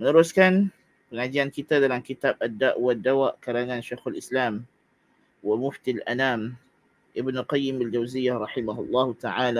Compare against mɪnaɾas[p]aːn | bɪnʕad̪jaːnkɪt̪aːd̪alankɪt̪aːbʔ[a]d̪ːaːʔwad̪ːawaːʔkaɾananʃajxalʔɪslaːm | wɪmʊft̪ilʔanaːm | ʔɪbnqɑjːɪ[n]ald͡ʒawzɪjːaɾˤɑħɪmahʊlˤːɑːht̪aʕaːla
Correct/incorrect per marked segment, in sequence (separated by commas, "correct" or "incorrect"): incorrect, correct, incorrect